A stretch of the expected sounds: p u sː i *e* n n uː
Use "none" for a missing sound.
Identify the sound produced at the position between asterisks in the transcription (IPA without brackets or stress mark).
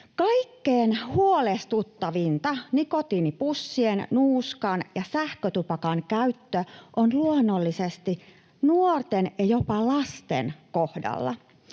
e